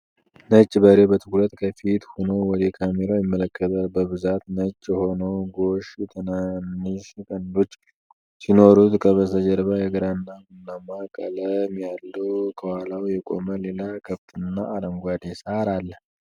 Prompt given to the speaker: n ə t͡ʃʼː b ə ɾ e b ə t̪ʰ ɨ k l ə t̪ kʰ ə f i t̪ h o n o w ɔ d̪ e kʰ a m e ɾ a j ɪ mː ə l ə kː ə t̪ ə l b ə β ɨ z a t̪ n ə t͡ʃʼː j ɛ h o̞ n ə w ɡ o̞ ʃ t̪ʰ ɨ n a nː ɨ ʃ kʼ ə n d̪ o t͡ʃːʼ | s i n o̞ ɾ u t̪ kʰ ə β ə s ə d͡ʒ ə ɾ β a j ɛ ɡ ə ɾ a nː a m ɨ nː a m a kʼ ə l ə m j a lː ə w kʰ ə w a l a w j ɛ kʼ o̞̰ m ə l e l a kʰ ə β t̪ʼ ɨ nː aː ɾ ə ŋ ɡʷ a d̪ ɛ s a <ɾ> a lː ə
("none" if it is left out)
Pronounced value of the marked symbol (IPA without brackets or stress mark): ɾ